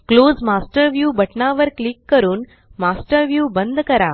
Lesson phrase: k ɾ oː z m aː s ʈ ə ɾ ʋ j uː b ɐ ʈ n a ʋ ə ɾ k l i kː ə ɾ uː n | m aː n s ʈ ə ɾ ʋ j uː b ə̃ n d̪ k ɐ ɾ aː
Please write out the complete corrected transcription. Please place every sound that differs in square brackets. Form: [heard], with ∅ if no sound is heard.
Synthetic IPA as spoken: k [l] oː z m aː s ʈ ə ɾ ʋ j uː b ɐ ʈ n a ʋ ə ɾ k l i kː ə ɾ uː n | m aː [∅] s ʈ ə ɾ ʋ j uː b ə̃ n d̪ k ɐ ɾ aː